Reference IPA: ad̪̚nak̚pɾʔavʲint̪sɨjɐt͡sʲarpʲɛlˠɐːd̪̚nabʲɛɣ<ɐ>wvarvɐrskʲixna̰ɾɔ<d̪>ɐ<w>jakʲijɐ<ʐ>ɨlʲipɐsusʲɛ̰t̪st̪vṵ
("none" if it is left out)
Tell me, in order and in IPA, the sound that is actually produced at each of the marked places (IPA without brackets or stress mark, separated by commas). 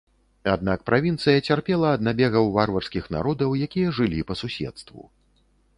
ɐ, d̪, w, ʐ